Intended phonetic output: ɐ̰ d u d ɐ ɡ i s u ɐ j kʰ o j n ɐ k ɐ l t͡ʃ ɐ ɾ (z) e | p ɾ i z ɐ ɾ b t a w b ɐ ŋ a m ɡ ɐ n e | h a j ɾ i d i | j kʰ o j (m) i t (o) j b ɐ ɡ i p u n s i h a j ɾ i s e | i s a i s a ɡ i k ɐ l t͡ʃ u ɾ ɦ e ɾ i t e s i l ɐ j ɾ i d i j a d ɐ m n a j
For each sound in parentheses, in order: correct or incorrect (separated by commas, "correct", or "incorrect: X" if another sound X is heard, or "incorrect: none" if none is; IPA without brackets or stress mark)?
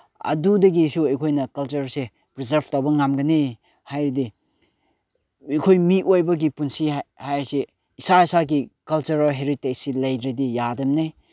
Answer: incorrect: s, correct, correct